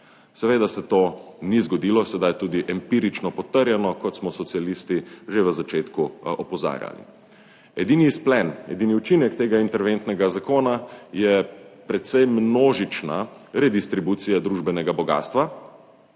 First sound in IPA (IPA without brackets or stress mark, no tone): s